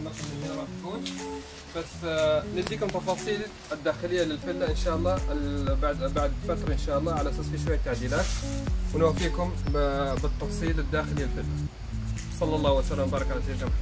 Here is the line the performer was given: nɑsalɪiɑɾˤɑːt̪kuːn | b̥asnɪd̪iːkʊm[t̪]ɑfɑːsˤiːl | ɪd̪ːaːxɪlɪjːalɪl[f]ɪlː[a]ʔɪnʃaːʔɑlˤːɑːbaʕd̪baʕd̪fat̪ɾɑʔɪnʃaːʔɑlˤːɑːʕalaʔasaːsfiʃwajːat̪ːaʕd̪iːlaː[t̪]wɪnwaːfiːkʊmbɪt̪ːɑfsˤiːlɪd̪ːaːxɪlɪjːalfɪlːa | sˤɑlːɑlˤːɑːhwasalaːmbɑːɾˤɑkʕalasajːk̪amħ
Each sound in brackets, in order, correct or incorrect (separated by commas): correct, correct, correct, correct